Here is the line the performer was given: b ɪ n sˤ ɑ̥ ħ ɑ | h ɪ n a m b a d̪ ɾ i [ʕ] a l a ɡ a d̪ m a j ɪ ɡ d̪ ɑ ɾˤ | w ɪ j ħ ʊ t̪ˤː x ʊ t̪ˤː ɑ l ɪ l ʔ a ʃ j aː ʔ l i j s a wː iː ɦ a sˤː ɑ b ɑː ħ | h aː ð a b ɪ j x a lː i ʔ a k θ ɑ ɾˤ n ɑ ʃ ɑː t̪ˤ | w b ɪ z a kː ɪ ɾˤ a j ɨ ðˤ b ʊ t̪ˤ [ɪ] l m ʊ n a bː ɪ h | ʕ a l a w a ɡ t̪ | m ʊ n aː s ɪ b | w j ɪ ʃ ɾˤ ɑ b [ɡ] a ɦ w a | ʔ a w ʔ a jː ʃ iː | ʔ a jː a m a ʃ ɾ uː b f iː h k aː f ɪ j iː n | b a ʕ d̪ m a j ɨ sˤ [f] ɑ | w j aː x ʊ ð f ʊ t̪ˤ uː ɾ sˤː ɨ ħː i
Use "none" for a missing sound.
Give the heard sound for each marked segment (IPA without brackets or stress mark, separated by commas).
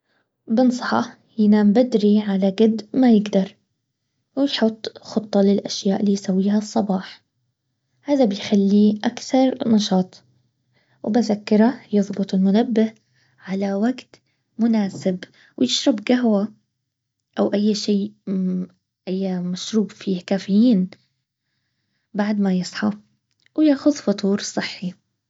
ʕ, ɪ, ɡ, ħ